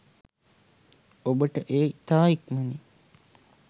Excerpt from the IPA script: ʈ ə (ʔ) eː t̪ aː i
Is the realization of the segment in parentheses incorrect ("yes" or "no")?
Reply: no